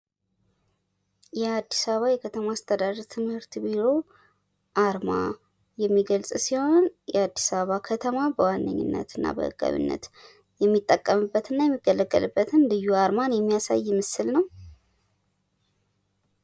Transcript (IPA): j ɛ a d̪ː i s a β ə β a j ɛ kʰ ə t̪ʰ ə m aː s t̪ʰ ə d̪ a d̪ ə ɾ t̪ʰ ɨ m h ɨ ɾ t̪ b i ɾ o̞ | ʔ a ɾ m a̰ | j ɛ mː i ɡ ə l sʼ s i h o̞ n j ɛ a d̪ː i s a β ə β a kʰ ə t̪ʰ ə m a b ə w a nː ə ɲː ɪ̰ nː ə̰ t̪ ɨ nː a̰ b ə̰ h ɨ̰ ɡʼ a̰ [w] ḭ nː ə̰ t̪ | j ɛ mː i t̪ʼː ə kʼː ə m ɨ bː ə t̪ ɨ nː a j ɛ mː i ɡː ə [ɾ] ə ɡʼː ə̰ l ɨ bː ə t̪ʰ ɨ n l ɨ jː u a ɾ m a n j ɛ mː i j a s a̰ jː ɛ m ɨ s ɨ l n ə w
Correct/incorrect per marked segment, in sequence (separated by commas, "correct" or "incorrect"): incorrect, incorrect